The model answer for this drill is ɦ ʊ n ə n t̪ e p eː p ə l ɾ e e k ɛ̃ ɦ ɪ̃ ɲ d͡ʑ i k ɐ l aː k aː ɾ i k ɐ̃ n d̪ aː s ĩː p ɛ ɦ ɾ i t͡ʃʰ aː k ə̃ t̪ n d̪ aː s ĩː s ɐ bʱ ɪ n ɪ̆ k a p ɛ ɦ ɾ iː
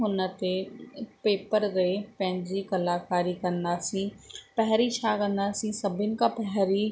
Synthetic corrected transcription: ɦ ʊ n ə t̪ e p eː p ə ɾ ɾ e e p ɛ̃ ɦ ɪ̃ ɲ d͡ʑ i k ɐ l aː k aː ɾ i k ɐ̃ n d̪ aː s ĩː p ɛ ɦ ɾ i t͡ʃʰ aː k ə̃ n d̪ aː s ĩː s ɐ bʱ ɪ n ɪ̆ k a p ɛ ɦ ɾ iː